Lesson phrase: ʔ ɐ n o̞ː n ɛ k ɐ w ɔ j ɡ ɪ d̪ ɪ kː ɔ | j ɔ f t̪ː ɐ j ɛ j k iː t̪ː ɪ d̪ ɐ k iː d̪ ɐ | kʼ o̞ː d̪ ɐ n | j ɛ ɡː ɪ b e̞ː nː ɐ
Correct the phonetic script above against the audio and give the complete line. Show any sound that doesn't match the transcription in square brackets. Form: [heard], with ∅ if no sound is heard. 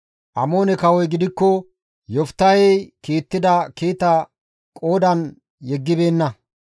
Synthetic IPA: ʔ ɐ [m] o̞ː n ɛ k ɐ w ɔ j ɡ ɪ d̪ ɪ kː ɔ | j ɔ f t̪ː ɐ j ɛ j k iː t̪ː ɪ d̪ ɐ k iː [t̪] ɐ | kʼ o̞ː d̪ ɐ n | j ɛ ɡː ɪ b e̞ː nː ɐ

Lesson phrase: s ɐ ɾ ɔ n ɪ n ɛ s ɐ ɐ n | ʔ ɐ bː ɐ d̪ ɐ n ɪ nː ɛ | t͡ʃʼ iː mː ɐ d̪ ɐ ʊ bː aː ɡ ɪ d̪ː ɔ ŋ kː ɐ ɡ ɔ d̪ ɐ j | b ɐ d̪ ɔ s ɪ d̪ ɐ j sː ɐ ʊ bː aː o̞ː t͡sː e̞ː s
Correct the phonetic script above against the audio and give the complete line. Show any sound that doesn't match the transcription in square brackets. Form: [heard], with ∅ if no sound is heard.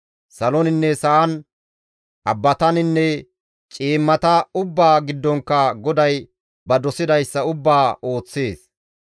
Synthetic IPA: s ɐ [l] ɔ n ɪ [nː] ɛ s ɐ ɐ n | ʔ ɐ bː ɐ [t̪] ɐ n ɪ nː ɛ | t͡ʃʼ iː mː ɐ [t̪] ɐ ʊ bː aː ɡ ɪ d̪ː ɔ ŋ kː ɐ ɡ ɔ d̪ ɐ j | b ɐ d̪ ɔ s ɪ d̪ ɐ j sː ɐ ʊ bː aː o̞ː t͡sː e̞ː s

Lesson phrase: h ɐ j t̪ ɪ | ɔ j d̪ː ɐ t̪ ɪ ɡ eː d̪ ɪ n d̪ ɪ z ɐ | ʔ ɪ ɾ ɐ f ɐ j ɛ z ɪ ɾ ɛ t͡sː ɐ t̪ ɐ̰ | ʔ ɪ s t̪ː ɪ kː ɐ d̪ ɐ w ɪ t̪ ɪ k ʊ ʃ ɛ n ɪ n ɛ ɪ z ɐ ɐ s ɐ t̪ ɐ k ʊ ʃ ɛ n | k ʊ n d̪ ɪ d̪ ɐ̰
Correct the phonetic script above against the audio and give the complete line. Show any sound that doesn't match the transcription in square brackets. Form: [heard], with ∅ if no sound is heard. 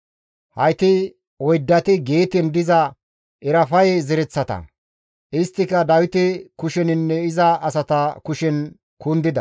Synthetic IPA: h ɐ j t̪ ɪ | ɔ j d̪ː ɐ t̪ ɪ ɡ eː [t̪] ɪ n d̪ ɪ z ɐ | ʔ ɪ ɾ ɐ f ɐ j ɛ z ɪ ɾ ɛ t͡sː ɐ t̪ ɐ̰ | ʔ ɪ s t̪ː ɪ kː ɐ d̪ ɐ w ɪ t̪ ɪ k ʊ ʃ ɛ n ɪ [nː] ɛ ɪ z ɐ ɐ s ɐ t̪ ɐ k ʊ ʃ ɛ n | k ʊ n d̪ ɪ d̪ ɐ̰

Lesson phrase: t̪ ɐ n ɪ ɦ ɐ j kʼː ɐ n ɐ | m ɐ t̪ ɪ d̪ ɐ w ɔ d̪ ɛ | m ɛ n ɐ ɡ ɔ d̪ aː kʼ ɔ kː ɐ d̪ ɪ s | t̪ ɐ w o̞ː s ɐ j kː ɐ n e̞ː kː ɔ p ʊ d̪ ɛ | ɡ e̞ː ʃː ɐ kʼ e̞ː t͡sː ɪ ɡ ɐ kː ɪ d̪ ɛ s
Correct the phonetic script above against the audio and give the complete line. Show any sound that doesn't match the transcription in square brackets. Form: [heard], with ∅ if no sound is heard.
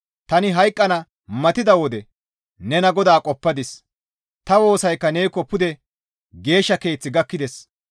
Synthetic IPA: t̪ ɐ n ɪ ɦ ɐ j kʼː ɐ n ɐ | m ɐ t̪ ɪ d̪ ɐ w ɔ d̪ ɛ | [n] ɛ n ɐ ɡ ɔ d̪ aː kʼ ɔ [pː] ɐ d̪ ɪ s | t̪ ɐ w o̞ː s ɐ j kː ɐ n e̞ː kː ɔ p ʊ d̪ ɛ | ɡ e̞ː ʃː ɐ [k] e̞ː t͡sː ɪ ɡ ɐ kː ɪ d̪ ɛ s

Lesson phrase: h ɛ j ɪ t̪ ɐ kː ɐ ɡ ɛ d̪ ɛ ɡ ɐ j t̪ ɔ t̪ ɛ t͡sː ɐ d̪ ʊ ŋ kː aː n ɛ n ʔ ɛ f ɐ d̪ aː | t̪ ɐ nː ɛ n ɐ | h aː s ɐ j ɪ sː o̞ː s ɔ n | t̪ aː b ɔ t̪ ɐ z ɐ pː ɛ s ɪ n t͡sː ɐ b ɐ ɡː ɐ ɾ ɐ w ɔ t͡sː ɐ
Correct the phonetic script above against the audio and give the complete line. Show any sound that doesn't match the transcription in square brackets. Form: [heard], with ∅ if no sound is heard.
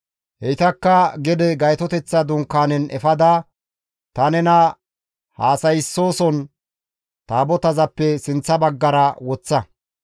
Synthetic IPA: h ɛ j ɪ t̪ ɐ kː ɐ ɡ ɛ d̪ ɛ ɡ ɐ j t̪ ɔ t̪ ɛ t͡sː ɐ d̪ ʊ ŋ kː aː n ɛ n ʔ ɛ f ɐ d̪ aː | t̪ ɐ [n] ɛ n ɐ | h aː s ɐ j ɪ sː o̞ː s ɔ n | t̪ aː b ɔ t̪ ɐ z ɐ pː ɛ s ɪ n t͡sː ɐ b ɐ ɡː ɐ ɾ ɐ w ɔ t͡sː ɐ

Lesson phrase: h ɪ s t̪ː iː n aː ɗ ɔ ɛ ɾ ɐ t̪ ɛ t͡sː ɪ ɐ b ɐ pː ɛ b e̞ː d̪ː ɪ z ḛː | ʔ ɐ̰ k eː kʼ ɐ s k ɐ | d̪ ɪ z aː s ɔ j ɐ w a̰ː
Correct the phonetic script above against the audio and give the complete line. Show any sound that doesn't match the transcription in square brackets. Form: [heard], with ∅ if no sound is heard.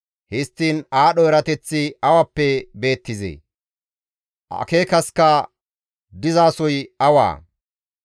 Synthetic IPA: h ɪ s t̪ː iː n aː ɗ ɔ ɛ ɾ ɐ t̪ ɛ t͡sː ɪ ɐ [w] ɐ pː ɛ b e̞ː [t̪ː] ɪ z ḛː | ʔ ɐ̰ k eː [k] ɐ s k ɐ | d̪ ɪ z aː s ɔ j ɐ w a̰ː

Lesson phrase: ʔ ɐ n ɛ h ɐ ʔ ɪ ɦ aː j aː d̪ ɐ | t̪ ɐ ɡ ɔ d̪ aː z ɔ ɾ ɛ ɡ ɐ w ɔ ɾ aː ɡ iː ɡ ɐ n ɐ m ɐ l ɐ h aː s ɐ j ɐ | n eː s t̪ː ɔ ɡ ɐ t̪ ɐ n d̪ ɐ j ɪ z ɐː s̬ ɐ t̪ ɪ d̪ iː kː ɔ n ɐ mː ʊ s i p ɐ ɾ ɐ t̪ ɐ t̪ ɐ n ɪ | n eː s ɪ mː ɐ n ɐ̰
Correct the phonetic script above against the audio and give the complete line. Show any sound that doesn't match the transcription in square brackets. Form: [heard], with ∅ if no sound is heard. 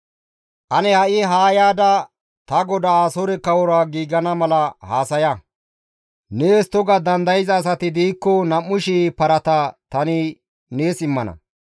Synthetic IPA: ʔ ɐ n ɛ h ɐ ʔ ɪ ɦ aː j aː d̪ ɐ | t̪ ɐ ɡ ɔ d̪ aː [s] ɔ ɾ ɛ [k] ɐ w ɔ ɾ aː ɡ iː ɡ ɐ n ɐ m ɐ l ɐ h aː s ɐ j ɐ | n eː s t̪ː ɔ ɡ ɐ [d̪] ɐ n d̪ ɐ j ɪ z ɐː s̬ ɐ t̪ ɪ d̪ iː kː ɔ n ɐ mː ʊ [ʃ] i p ɐ ɾ ɐ t̪ ɐ t̪ ɐ n ɪ | n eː s ɪ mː ɐ n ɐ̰

